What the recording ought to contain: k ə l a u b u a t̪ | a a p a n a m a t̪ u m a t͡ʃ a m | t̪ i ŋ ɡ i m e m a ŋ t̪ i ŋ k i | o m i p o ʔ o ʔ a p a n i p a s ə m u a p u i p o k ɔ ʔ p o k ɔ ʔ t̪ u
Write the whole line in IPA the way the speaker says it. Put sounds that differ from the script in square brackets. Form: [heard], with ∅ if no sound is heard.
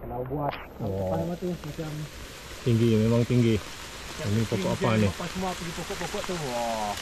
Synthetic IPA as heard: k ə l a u b u a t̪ | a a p a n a m a t̪ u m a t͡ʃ a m | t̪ i ŋ ɡ i m e m a ŋ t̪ i ŋ [ɡ] i | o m i p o [k] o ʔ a p a n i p a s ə m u a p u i p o k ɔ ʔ p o k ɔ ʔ t̪ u